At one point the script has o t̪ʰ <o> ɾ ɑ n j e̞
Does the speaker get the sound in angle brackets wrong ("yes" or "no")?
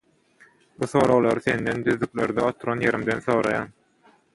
yes